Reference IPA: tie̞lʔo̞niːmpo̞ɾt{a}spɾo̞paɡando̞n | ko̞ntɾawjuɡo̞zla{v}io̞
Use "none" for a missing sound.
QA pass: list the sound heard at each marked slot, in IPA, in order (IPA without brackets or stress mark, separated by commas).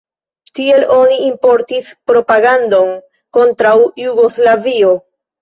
i, v